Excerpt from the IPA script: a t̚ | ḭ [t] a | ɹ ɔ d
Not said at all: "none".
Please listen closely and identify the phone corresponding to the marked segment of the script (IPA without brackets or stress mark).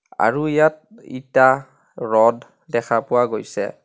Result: t